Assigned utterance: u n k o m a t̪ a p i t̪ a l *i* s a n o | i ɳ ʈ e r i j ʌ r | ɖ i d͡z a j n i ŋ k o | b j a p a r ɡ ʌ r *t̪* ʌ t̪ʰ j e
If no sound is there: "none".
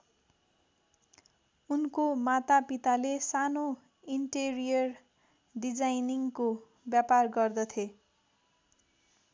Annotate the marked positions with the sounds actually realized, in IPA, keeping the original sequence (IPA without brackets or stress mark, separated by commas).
e, d̪